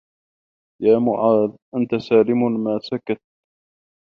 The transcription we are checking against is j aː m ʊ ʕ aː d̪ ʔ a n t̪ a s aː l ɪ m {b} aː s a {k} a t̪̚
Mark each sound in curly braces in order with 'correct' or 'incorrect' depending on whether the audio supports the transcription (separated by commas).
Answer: incorrect, correct